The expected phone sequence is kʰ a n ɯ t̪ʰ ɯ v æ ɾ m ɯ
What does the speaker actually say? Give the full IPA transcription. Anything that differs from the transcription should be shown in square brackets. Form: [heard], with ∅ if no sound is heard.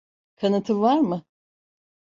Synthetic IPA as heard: kʰ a n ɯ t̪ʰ ɯ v [a] ɾ m ɯ